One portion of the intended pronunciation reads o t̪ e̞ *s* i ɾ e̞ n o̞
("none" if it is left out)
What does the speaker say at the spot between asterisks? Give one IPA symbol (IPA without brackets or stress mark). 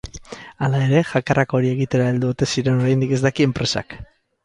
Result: s